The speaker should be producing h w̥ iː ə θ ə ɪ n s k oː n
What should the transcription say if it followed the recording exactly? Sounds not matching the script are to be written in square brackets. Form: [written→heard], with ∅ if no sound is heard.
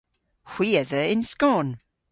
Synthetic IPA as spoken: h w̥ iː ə [θ→ð] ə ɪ n s k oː n